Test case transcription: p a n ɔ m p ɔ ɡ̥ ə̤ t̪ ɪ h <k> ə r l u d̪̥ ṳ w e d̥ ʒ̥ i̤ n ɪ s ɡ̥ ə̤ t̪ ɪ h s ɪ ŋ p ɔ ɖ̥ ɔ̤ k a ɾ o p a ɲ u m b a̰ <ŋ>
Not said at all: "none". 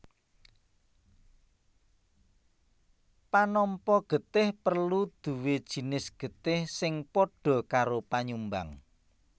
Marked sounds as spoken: p, ŋ

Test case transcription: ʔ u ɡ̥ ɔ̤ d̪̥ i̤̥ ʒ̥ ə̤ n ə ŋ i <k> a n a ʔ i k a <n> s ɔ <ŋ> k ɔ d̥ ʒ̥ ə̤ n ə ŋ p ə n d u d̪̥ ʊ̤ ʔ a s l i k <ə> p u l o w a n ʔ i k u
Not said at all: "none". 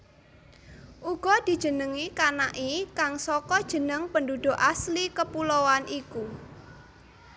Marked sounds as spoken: k, ŋ, none, ə

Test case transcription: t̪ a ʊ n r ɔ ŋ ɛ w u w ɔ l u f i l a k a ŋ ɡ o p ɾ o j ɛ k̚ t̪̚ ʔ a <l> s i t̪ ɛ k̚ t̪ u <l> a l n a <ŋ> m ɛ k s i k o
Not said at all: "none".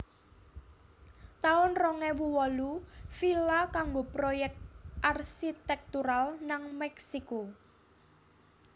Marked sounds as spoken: r, ɾ, ŋ

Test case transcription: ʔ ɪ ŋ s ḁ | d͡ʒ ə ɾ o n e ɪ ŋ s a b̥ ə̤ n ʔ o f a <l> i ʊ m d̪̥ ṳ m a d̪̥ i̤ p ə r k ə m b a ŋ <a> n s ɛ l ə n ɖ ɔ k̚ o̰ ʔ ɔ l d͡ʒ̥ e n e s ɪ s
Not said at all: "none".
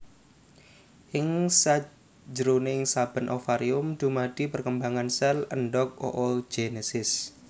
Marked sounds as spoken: ɾ, a

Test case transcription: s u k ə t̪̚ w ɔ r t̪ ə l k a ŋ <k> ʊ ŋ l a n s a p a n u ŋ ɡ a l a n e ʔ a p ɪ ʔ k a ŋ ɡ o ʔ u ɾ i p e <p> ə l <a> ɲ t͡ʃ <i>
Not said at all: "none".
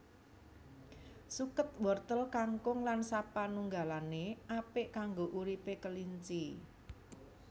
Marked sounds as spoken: k, k, i, i

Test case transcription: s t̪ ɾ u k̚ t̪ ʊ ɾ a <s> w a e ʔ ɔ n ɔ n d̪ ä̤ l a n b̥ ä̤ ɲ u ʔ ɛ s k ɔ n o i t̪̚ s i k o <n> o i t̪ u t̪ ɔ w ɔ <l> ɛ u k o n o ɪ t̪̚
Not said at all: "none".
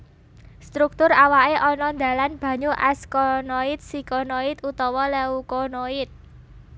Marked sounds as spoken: none, n, l

